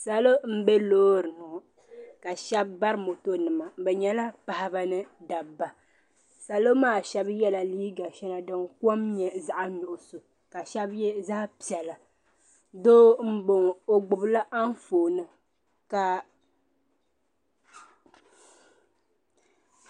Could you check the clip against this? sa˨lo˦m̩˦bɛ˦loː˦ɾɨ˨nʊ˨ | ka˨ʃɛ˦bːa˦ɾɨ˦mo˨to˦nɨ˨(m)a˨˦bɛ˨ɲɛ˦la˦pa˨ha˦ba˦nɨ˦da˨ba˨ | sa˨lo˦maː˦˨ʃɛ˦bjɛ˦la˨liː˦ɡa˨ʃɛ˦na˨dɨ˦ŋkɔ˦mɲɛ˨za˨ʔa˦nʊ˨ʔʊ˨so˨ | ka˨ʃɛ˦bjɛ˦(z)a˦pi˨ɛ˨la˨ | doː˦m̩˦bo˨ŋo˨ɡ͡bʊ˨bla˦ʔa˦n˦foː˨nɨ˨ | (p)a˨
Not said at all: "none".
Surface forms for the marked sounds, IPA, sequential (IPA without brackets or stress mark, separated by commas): m, z, k